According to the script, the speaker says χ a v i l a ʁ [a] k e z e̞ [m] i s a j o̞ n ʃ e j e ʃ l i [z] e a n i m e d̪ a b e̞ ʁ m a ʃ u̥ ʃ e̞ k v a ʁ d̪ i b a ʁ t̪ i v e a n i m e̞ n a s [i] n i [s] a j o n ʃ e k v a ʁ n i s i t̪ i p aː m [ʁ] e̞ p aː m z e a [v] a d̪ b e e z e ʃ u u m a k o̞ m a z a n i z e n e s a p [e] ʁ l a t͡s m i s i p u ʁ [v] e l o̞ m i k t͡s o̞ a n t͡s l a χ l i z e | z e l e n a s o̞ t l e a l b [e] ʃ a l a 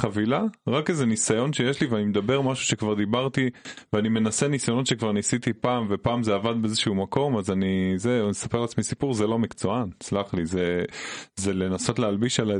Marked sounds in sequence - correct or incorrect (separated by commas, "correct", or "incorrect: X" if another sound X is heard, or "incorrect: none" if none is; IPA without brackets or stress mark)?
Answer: correct, incorrect: n, incorrect: v, incorrect: e, correct, incorrect: v, correct, correct, incorrect: z, incorrect: i